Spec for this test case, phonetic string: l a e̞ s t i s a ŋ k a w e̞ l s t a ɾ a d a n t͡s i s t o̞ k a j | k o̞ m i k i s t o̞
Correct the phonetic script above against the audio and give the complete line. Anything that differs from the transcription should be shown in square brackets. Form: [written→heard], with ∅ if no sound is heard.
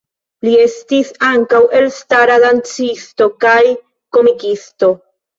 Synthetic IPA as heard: l [a→i] e̞ s t i s a ŋ k a w e̞ l s t a ɾ a d a n t͡s i s t o̞ k a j | k o̞ m i k i s t o̞